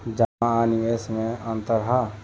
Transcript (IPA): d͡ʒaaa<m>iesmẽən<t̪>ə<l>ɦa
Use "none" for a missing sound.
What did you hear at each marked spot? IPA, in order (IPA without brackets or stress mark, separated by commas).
n, t̪, ɾ